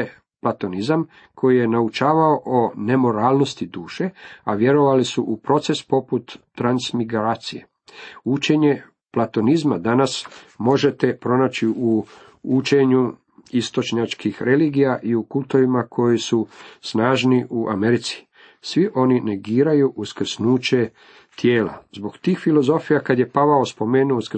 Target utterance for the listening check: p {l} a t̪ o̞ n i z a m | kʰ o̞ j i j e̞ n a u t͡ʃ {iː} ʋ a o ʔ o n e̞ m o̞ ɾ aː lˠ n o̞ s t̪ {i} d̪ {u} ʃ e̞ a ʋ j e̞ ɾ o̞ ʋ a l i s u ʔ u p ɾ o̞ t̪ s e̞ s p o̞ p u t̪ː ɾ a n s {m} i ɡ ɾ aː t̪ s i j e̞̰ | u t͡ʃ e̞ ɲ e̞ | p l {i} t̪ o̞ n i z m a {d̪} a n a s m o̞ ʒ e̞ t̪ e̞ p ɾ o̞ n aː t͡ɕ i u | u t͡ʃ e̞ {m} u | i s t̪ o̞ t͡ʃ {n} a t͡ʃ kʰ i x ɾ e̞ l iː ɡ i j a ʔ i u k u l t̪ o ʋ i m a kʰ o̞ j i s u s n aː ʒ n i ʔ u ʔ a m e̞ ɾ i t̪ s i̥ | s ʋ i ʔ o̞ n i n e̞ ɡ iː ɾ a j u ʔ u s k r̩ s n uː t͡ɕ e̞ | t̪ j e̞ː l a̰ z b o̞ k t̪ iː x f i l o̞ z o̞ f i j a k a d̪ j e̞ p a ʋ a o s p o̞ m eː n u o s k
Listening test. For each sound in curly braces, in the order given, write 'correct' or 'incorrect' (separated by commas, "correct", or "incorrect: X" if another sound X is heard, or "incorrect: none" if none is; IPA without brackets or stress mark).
correct, incorrect: aː, correct, incorrect: uː, correct, incorrect: a, correct, incorrect: ɲ, incorrect: ɲ